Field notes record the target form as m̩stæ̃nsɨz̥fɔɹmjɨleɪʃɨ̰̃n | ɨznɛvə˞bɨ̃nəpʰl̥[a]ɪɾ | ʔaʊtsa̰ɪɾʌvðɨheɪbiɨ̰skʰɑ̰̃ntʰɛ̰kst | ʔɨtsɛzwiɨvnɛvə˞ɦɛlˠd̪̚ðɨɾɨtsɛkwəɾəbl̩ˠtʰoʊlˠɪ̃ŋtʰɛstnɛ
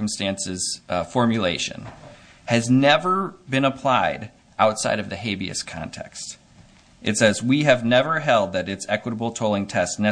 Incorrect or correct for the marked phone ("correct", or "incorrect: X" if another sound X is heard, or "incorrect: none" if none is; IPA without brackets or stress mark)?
correct